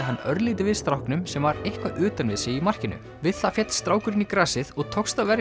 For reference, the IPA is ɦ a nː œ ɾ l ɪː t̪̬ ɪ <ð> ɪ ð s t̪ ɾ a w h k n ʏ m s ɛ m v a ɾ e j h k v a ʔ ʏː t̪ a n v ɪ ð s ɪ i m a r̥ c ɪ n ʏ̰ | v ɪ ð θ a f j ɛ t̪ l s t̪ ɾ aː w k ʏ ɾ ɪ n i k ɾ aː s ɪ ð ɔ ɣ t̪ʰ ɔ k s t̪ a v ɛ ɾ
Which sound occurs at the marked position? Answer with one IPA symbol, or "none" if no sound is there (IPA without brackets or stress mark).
v